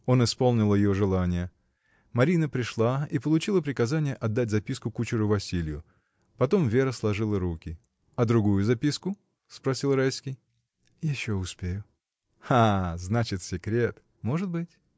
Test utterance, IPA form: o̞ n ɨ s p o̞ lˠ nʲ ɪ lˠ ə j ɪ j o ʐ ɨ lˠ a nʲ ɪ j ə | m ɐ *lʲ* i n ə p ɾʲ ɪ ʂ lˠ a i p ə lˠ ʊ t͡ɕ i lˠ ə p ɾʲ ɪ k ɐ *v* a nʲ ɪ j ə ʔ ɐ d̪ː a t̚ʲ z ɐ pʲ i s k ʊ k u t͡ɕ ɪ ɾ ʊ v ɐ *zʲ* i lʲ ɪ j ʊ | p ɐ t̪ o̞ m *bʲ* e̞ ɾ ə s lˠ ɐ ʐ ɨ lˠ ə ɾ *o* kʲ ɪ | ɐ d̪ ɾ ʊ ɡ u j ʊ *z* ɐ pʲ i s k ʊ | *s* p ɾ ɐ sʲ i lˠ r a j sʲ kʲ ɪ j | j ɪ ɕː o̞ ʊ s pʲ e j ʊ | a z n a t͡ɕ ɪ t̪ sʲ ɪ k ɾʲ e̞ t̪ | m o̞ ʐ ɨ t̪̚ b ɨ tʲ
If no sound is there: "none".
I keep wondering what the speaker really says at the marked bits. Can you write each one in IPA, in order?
ɾʲ, z, sʲ, vʲ, u, z, s

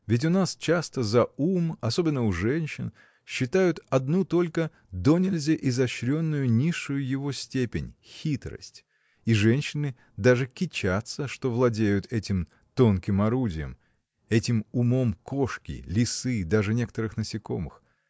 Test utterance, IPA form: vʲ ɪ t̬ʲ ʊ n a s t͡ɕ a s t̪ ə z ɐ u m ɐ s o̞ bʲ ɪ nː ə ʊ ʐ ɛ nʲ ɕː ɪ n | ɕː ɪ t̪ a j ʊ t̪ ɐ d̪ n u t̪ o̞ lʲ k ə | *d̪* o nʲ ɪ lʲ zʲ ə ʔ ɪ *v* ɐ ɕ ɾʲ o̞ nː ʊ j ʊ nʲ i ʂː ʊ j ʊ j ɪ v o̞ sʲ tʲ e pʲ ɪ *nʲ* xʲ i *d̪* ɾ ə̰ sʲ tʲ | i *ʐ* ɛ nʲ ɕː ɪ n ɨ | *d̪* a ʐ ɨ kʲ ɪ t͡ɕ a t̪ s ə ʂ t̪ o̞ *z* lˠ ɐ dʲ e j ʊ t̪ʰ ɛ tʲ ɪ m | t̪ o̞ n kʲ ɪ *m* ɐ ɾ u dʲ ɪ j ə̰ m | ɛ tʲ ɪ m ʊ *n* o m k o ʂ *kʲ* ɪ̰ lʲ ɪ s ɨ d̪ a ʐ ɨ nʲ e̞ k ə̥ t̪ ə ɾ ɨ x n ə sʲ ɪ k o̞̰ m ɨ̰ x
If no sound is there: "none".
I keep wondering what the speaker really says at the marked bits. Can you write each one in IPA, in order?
d̪, z, nʲ, t̪, ʐ, d̪, v, m, m, kʲ

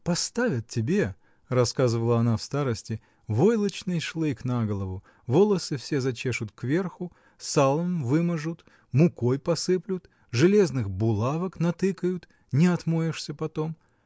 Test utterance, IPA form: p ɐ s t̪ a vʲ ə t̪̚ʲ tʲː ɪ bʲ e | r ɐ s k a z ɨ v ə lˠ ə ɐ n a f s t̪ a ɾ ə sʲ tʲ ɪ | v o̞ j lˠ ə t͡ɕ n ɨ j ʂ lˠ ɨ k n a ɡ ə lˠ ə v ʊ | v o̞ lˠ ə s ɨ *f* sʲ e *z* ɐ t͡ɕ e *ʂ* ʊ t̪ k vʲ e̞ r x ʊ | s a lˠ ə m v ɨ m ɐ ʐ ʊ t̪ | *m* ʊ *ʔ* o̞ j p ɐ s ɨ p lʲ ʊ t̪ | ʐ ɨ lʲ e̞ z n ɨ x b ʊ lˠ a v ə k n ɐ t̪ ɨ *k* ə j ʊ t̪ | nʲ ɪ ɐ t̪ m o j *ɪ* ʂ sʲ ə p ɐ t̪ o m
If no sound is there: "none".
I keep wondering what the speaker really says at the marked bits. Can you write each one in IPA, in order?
f, z, ʂ, m, k, k, ɪ

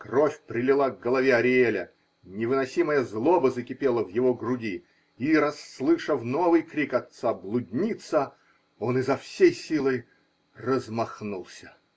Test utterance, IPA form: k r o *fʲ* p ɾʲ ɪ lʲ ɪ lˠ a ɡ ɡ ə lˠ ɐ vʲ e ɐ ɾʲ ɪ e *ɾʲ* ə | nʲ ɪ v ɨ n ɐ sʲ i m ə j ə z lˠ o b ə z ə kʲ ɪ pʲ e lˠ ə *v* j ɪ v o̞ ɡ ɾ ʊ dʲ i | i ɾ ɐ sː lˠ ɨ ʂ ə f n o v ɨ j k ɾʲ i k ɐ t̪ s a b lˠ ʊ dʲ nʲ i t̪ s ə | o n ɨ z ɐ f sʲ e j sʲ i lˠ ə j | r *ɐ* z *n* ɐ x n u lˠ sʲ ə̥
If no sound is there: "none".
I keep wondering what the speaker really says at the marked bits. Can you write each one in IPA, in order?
fʲ, lʲ, v, ə, m

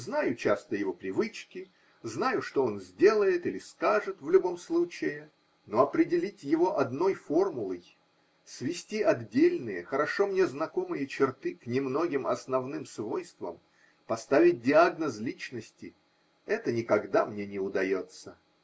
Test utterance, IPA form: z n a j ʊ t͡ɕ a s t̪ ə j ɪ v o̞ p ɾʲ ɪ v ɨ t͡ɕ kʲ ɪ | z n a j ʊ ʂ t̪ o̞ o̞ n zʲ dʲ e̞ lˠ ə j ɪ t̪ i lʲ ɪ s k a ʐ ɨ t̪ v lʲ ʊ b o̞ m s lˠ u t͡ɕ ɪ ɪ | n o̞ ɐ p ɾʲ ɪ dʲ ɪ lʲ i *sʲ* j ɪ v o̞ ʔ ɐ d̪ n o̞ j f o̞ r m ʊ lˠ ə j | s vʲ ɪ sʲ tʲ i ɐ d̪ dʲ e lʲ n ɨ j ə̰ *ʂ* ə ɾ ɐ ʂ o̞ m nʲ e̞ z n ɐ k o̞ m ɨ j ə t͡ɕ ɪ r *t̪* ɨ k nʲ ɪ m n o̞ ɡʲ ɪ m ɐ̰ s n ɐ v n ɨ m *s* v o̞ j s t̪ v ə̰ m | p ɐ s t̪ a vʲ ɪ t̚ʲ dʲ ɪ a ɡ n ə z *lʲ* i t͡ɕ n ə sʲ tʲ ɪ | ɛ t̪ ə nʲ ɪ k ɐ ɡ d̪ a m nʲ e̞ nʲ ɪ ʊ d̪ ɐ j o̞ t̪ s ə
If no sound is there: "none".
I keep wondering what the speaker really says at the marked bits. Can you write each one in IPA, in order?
tʲ, x, t̪, s, lʲ

